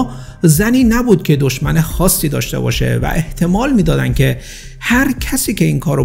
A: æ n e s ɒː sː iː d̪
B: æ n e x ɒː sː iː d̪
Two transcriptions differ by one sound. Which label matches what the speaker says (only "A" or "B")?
B